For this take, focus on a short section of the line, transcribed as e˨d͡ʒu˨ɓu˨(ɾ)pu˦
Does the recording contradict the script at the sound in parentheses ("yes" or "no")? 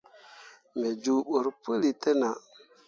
no